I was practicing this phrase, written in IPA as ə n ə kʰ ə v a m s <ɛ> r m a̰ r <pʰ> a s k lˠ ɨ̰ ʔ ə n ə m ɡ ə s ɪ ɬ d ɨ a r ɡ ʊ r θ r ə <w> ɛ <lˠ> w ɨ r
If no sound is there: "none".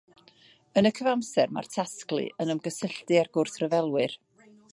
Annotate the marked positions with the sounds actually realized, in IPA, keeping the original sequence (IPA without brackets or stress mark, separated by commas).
ɛ, tʰ, v, lˠ